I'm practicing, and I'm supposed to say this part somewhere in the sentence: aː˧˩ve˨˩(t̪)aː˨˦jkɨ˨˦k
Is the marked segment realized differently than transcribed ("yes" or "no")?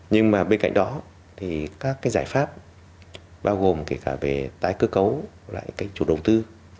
no